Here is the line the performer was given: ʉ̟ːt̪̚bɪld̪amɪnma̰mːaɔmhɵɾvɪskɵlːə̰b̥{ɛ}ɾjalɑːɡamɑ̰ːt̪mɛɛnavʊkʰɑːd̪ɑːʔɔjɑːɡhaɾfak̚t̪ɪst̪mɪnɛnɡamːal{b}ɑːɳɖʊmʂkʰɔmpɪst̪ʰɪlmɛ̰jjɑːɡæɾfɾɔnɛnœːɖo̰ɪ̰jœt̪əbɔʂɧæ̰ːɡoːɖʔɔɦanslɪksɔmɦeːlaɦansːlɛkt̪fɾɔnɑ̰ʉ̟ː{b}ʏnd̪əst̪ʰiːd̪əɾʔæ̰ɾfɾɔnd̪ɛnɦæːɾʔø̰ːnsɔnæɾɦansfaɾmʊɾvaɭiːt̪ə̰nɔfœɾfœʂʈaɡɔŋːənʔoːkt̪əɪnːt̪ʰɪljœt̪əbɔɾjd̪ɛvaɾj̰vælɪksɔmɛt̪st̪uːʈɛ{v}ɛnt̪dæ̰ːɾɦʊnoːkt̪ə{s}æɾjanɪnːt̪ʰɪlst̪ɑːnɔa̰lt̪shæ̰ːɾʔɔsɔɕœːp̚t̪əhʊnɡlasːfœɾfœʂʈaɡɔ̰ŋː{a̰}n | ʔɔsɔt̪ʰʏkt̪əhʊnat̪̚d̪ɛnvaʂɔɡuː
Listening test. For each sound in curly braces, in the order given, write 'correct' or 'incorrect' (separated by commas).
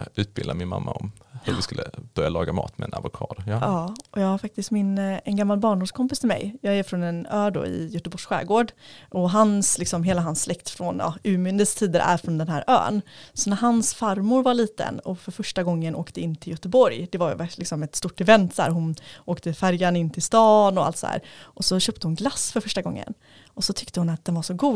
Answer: incorrect, correct, incorrect, correct, incorrect, incorrect